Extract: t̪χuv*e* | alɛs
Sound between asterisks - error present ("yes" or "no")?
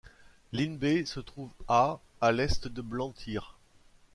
yes